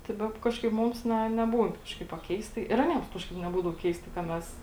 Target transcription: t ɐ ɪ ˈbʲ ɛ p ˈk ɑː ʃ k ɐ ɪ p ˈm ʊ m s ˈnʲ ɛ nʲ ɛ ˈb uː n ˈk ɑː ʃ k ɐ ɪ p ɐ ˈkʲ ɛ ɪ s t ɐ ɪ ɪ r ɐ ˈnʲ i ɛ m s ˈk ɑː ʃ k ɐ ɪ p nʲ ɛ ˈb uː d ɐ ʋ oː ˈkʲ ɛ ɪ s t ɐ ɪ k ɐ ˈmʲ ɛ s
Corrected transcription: t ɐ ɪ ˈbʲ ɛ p ˈk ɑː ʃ k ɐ ɪ p ˈm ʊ m s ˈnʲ ɛ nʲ ɛ ˈb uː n ˈk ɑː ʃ k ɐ ɪ p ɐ ˈkʲ ɛ ɪ s t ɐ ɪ ɪ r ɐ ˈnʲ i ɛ m s ˈk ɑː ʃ k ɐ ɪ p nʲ ɛ ˈb uː d ɐ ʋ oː ˈkʲ ɛ ɪ s t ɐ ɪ k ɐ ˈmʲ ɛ s